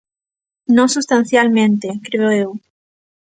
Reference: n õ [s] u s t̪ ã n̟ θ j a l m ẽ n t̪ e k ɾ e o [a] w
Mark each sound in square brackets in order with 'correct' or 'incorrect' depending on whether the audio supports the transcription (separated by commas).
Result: correct, incorrect